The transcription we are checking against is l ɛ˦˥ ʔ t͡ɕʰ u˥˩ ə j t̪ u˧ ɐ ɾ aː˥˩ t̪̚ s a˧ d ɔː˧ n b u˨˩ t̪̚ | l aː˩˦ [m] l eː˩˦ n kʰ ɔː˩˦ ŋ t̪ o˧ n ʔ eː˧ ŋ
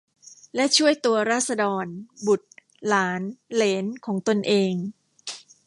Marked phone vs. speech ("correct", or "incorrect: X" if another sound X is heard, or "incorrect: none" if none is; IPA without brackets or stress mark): incorrect: n